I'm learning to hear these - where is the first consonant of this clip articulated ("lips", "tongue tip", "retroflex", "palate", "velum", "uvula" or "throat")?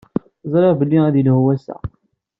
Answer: tongue tip